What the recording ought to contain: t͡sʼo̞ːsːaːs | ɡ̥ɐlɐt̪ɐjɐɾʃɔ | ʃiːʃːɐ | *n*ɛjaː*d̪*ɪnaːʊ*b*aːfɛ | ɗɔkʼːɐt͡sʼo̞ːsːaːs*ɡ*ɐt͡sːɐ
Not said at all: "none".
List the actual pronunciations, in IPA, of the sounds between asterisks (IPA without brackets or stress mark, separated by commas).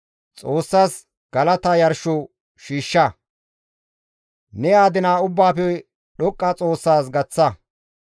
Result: n, d̪, bː, ɡ